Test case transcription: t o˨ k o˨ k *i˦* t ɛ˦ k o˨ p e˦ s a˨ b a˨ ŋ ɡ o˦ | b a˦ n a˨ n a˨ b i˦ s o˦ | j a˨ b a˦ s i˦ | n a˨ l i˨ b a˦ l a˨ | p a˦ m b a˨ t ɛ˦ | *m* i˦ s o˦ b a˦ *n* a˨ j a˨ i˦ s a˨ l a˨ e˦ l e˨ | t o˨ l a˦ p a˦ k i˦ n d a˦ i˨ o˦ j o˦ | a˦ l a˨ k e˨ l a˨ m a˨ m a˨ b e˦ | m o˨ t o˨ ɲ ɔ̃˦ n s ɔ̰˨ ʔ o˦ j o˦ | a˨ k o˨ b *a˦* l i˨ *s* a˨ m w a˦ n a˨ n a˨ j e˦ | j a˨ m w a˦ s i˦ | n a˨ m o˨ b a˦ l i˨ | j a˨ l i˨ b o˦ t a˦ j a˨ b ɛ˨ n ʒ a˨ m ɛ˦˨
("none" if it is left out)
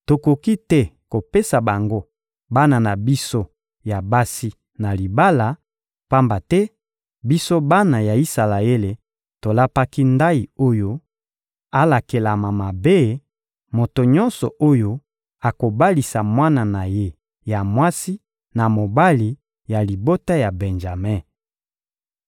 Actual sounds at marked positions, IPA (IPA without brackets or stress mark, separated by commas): i˦, b, n, a˦, s